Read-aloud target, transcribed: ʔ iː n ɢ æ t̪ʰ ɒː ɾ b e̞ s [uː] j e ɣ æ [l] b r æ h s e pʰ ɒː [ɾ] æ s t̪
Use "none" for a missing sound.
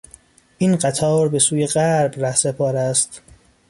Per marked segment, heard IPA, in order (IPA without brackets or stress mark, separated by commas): uː, ɾ, ɾ